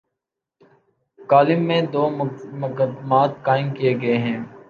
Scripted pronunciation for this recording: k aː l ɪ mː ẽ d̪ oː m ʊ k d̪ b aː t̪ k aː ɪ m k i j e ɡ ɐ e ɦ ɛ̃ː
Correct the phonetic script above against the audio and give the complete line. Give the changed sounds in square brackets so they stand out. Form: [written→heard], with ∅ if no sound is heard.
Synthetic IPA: k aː l ɪ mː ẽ d̪ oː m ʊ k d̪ [b→m] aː t̪ k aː ɪ m k i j e ɡ ɐ e ɦ ɛ̃ː